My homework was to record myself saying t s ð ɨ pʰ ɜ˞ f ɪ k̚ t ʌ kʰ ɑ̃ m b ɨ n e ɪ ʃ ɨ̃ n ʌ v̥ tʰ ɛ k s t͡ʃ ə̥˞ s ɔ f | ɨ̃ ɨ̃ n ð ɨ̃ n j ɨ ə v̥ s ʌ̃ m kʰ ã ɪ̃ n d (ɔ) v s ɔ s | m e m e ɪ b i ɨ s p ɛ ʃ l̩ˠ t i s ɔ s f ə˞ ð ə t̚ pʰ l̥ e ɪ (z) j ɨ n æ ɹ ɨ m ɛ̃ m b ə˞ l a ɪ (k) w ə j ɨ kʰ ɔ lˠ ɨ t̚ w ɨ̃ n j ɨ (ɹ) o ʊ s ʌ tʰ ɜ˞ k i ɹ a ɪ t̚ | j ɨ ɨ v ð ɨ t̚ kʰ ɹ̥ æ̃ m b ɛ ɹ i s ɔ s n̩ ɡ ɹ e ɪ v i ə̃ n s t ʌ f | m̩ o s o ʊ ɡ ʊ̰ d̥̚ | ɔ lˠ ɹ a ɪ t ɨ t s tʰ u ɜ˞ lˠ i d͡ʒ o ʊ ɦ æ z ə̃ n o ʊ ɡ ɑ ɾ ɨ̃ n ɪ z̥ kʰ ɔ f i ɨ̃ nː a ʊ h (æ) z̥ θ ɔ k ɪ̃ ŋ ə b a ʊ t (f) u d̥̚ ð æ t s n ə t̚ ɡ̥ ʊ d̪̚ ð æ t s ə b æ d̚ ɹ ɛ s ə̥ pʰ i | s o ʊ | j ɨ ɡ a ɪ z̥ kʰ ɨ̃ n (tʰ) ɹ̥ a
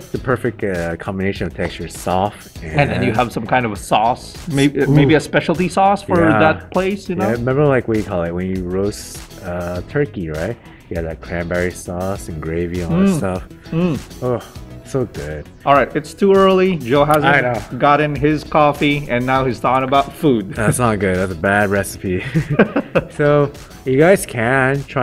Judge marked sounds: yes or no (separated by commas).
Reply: no, no, yes, yes, no, yes, yes